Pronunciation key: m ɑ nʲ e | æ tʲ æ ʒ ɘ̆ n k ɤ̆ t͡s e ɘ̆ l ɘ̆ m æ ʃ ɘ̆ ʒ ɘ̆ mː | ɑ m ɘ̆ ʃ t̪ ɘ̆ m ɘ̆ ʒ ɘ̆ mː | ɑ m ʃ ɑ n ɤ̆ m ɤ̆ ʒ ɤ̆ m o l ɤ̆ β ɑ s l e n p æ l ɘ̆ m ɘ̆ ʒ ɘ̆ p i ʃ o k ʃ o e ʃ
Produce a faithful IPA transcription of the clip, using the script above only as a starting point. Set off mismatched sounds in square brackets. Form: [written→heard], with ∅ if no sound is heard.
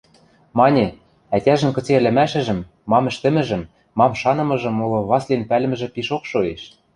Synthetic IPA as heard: m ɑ nʲ e | æ tʲ æ ʒ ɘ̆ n k ɤ̆ t͡s e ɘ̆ l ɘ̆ m æ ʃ ɘ̆ ʒ ɘ̆ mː | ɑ m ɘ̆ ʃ t̪ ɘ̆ m ɘ̆ ʒ ɘ̆ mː | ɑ m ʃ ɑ n ɤ̆ m ɤ̆ ʒ ɤ̆ m o l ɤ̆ β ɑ s l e n p æ l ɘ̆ m ɘ̆ ʒ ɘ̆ p i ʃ o k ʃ o e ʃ